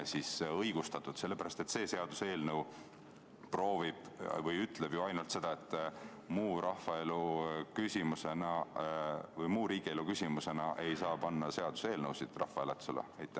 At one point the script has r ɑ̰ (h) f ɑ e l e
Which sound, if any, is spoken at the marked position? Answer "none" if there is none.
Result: h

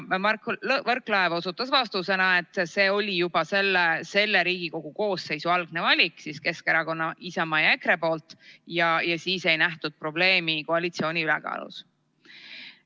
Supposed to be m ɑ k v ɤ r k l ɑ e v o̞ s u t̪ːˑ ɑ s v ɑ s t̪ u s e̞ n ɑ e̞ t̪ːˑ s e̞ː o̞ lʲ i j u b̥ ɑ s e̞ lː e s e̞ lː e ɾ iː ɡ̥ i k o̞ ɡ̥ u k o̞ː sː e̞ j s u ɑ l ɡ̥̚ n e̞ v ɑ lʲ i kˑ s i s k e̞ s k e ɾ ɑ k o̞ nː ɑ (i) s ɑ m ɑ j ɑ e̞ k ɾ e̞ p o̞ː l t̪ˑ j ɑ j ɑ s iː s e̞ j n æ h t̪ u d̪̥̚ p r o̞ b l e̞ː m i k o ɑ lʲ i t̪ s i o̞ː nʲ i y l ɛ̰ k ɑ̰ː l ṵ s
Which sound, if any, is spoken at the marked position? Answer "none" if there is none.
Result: i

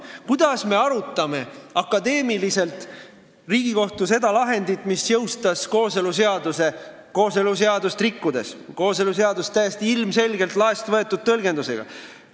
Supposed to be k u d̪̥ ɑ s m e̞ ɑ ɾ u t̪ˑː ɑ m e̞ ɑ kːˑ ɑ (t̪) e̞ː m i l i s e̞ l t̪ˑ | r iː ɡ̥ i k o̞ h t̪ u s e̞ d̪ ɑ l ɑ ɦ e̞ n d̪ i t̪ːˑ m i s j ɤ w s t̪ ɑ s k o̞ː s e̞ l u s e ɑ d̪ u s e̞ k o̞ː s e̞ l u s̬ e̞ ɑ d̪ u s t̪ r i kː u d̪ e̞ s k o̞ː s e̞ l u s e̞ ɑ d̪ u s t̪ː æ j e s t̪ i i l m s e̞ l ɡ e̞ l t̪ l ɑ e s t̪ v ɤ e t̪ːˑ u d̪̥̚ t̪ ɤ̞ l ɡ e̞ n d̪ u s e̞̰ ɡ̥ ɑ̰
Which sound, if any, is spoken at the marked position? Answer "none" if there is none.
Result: d̪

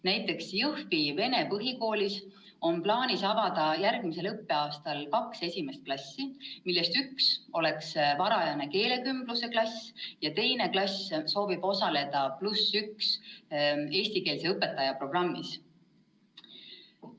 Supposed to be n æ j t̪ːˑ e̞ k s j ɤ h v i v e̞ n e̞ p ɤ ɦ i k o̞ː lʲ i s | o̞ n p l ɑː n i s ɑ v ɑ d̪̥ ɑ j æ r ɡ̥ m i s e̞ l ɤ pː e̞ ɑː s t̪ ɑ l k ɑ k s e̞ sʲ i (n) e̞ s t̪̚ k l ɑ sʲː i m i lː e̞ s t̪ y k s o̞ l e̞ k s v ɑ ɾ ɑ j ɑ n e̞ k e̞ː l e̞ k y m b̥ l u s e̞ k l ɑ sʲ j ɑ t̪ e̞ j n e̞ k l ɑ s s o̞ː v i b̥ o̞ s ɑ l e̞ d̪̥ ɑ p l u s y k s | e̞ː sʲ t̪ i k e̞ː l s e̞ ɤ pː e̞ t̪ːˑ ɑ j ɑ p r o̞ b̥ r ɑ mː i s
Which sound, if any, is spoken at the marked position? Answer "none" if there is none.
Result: m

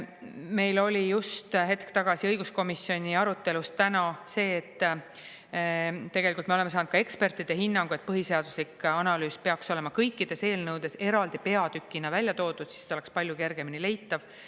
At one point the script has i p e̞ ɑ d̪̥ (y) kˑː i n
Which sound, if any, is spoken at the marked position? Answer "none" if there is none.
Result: y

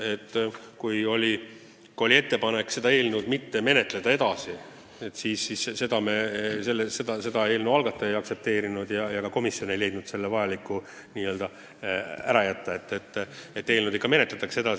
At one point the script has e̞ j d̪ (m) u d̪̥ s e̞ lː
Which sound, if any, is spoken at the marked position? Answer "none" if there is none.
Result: n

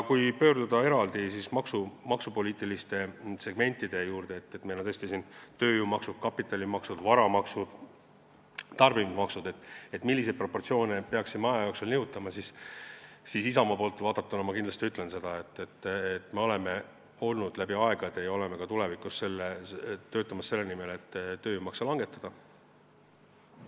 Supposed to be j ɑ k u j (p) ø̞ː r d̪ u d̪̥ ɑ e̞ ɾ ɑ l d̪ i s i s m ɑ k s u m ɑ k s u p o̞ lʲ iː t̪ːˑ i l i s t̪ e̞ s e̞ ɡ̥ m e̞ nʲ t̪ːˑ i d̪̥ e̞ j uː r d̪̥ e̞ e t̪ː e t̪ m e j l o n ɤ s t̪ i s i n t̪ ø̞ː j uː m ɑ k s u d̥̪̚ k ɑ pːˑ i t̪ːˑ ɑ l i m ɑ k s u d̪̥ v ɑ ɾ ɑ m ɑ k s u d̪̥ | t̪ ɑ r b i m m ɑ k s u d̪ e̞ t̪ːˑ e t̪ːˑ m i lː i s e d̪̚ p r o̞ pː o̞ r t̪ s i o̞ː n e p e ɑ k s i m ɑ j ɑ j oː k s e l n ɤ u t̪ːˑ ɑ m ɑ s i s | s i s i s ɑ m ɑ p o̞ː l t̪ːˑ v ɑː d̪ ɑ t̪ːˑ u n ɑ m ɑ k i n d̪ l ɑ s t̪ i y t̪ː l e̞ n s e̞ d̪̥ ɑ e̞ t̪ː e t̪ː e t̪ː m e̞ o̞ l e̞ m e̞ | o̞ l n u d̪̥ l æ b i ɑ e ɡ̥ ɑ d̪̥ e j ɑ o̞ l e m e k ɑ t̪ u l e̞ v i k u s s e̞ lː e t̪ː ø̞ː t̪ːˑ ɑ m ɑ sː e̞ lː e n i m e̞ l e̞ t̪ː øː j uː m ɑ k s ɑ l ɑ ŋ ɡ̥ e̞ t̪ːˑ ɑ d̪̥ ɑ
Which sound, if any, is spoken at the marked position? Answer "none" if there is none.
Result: p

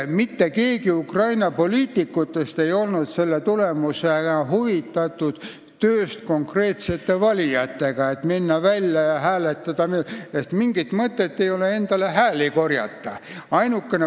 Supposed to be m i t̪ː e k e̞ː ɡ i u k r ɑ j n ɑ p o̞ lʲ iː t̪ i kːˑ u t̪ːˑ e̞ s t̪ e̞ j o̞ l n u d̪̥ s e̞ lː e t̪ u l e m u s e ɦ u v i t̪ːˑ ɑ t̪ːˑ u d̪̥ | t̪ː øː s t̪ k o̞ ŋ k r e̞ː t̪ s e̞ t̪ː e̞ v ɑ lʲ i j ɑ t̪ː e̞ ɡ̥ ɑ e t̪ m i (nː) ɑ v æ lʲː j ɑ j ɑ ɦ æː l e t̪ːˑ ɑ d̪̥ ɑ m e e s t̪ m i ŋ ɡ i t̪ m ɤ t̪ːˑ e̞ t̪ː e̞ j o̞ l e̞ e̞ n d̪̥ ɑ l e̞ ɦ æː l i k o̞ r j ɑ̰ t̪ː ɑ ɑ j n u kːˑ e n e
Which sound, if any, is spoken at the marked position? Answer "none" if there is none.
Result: nː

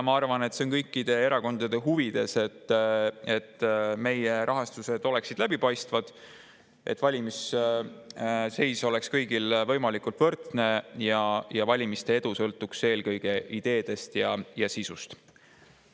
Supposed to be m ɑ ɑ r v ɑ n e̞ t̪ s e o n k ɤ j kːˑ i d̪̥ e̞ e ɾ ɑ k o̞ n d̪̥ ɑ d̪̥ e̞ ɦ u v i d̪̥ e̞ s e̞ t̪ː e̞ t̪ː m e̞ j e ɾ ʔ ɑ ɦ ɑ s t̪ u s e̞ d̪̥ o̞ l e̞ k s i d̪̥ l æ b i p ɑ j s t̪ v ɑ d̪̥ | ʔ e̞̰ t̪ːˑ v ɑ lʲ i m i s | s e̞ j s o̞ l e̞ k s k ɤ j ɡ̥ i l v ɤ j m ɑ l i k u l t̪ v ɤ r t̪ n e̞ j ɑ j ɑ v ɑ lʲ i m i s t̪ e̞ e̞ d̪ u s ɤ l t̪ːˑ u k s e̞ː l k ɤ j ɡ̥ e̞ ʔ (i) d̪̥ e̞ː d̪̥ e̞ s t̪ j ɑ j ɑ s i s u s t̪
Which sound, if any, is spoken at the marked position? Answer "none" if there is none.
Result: i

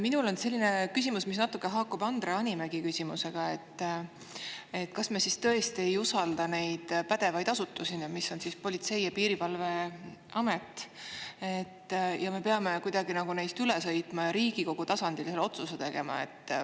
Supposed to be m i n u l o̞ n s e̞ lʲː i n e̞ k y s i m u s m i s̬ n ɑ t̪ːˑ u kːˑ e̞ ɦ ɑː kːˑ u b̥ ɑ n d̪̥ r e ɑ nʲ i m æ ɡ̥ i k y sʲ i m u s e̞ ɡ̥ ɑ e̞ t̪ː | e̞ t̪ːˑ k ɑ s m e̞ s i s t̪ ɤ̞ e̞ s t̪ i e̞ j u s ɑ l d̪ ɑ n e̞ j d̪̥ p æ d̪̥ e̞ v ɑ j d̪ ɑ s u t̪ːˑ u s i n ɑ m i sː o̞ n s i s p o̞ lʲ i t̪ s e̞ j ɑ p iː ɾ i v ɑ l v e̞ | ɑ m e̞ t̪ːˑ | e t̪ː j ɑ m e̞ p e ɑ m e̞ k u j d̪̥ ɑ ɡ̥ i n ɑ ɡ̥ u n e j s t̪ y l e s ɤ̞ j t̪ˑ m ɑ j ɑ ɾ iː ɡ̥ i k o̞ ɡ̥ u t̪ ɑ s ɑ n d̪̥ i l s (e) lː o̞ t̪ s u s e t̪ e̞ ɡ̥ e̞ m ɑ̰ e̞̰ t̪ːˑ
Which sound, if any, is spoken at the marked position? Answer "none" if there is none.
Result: e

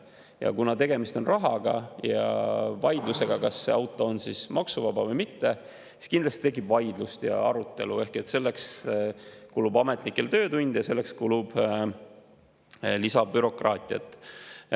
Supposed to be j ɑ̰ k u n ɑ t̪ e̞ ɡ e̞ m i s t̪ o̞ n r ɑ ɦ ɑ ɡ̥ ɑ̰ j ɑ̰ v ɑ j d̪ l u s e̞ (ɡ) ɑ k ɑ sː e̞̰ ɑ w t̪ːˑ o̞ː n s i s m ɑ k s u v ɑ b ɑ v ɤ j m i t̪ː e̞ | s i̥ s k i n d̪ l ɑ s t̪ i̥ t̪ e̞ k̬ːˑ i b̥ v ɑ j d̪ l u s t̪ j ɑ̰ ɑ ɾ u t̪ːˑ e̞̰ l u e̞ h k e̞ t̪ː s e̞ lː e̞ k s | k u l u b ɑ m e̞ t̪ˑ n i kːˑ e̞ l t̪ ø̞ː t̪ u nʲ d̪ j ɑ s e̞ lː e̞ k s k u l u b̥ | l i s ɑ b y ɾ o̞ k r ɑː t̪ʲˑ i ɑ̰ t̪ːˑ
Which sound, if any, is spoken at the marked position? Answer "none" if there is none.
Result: ɡ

